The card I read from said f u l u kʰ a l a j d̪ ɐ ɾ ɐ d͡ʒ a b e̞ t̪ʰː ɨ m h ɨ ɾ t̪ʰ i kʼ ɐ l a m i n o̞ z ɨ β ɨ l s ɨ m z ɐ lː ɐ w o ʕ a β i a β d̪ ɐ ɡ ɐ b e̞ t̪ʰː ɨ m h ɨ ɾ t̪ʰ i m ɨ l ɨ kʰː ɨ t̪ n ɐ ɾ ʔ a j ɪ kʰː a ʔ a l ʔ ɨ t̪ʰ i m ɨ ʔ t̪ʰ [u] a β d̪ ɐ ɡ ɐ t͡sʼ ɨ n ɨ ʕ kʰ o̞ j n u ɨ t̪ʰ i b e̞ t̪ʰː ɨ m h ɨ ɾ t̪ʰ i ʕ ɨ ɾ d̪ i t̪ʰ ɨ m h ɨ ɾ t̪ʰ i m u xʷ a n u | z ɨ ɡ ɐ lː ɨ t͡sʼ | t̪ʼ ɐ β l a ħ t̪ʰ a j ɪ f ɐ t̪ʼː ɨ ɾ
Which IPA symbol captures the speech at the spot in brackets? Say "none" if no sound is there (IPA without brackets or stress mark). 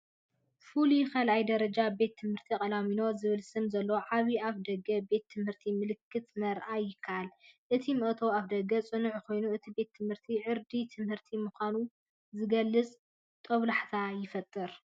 o